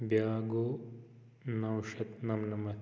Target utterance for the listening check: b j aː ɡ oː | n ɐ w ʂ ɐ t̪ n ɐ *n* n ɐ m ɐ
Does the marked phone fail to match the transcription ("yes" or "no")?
yes